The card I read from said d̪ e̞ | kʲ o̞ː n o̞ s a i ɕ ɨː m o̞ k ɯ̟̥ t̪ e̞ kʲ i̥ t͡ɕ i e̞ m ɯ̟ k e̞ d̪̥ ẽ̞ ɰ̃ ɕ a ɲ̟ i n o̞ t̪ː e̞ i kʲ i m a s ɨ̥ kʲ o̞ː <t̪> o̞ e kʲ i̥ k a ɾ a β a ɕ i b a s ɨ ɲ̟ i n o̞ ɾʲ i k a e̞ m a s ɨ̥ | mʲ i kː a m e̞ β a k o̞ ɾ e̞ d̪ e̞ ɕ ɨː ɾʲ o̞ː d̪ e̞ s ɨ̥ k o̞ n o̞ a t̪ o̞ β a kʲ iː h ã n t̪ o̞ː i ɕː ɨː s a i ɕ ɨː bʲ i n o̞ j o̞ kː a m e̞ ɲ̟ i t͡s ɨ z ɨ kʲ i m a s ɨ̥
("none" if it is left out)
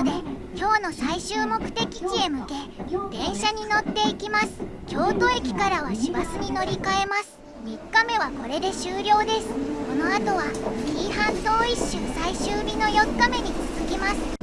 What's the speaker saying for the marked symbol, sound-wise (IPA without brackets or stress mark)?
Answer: t̪